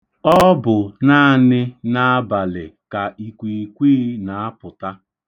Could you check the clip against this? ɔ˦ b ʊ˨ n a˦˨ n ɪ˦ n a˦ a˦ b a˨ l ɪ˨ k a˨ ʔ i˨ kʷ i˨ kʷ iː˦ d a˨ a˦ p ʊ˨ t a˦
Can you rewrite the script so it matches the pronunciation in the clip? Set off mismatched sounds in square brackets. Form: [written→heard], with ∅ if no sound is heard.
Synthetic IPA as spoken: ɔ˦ b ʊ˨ n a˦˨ n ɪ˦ n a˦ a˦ b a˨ l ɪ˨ k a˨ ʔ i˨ kʷ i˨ kʷ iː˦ [d→n] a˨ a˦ p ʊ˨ t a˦

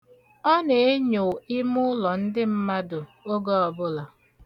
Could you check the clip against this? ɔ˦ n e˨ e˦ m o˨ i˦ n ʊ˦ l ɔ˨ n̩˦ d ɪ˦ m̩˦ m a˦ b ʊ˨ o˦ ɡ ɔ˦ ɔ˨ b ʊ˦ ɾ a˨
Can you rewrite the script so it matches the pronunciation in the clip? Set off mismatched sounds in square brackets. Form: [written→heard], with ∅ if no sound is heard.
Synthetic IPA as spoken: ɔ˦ n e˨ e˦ [m→ɲ] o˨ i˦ [n→m] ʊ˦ l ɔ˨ n̩˦ d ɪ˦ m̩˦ m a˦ [b→d] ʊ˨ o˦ ɡ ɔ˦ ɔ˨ b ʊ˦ [ɾ→l] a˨

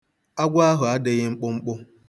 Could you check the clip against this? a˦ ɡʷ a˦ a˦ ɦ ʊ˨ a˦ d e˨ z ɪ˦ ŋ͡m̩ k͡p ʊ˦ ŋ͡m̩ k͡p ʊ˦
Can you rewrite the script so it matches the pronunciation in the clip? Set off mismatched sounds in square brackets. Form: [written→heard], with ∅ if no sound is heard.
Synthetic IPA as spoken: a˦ ɡʷ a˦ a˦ ɦ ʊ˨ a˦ d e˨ [z→ɣ] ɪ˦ ŋ͡m̩ k͡p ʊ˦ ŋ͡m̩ k͡p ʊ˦

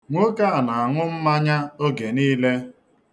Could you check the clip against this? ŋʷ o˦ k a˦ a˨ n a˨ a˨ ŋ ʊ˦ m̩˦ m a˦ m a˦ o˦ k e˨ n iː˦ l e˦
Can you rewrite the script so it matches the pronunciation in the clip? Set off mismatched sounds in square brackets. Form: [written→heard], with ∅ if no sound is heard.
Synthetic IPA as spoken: ŋʷ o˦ k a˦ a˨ n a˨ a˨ ŋ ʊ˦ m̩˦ m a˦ [m→ɲ] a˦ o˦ [k→ɡ] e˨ n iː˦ l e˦

